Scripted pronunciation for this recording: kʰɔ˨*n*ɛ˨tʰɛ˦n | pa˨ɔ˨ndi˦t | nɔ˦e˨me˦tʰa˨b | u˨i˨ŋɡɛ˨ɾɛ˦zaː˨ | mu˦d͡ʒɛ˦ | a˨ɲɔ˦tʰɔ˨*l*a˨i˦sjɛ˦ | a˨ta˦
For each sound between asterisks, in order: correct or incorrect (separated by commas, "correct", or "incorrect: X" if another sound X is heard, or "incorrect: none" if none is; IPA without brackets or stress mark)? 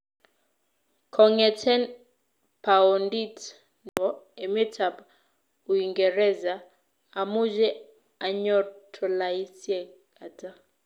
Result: incorrect: ŋ, correct